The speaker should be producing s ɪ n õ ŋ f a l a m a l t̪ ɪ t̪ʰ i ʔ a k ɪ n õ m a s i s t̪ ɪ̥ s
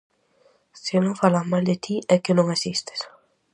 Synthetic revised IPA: s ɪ n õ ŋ f a l a m a l d̪ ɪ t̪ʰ i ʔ ɛ k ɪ n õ ŋ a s i s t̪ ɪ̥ s